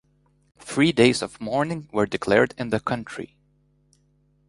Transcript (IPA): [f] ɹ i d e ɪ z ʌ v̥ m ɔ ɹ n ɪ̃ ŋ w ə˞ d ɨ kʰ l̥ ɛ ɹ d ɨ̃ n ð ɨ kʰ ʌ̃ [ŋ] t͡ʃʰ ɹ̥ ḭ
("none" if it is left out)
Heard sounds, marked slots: θ, n

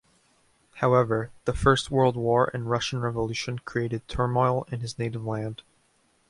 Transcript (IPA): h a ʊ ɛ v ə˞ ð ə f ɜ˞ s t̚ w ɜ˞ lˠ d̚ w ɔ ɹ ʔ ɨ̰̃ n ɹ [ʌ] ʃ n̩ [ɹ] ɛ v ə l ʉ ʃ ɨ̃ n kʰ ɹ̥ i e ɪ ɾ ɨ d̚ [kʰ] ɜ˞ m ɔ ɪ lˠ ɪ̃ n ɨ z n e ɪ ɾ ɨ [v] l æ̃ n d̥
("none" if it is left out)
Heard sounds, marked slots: ʌ, ɹ, tʰ, v

